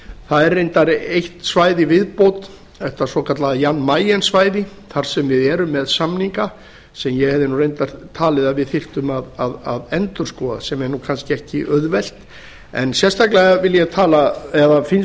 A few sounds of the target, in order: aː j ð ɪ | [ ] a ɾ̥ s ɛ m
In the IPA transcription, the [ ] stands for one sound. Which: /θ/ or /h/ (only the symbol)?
θ